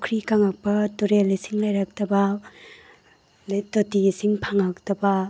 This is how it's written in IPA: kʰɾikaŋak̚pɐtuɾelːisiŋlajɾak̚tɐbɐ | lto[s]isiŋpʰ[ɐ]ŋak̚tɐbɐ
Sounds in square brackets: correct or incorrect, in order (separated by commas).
incorrect, incorrect